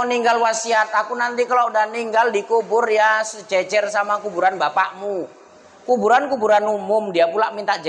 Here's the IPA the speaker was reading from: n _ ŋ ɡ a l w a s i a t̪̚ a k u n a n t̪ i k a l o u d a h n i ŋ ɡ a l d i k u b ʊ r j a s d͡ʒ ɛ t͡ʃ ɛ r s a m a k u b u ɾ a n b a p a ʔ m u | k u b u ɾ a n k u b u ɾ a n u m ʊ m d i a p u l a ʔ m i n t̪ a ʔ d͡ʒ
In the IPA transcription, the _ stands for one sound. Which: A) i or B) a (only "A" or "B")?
A